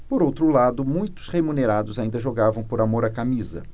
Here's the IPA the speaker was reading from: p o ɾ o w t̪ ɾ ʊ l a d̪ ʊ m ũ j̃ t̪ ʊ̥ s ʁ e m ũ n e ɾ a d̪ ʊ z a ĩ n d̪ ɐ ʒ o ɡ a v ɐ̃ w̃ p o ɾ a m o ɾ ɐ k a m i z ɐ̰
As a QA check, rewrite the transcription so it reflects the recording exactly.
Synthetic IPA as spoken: p o ɾ o w t̪ ɾ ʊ l a d̪ ʊ m ũ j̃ t̪ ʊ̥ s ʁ e m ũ n e ɾ a d̪ ʊ z a ĩ n d̪ ɐ ʒ o ɡ a v ɐ̃ w̃ p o ɾ a m o ɾ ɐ k a m i z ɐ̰